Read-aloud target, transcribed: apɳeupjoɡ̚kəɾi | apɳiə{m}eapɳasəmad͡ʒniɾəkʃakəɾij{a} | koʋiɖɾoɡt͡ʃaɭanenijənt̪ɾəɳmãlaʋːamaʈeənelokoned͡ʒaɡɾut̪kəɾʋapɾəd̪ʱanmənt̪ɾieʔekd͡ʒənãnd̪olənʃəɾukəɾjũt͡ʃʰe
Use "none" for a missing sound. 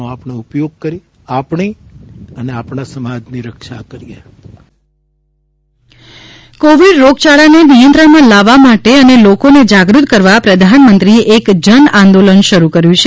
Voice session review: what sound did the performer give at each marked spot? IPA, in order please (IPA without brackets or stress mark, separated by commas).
n, e